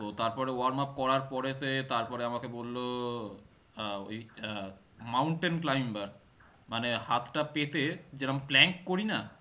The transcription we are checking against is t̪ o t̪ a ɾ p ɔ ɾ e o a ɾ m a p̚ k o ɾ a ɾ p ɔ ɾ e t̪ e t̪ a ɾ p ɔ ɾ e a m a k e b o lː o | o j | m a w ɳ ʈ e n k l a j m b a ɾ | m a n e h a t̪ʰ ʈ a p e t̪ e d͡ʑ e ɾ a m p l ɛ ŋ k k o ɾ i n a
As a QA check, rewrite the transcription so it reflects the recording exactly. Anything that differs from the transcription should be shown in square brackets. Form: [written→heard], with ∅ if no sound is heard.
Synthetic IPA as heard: t̪ o t̪ a ɾ p ɔ ɾ e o a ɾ m a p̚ k [o→ɔ] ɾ a ɾ p ɔ ɾ e t̪ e t̪ a ɾ p ɔ ɾ e a m a k e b o lː o | o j | m a w ɳ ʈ e n k l a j m b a ɾ | m a n e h a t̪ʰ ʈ a p e t̪ e d͡ʑ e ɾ a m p l ɛ ŋ k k o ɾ i n a